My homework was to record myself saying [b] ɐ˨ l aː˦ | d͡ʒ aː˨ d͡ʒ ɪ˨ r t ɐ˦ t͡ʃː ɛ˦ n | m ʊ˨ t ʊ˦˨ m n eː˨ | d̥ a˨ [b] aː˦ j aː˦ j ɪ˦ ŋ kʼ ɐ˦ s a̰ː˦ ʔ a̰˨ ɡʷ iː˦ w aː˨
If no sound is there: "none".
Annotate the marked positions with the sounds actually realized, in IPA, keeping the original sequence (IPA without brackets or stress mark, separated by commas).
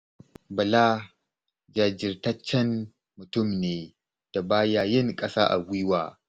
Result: b, b